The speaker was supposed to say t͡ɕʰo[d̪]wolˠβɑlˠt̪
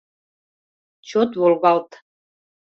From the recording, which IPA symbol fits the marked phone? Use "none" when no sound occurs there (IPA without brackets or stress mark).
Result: t̪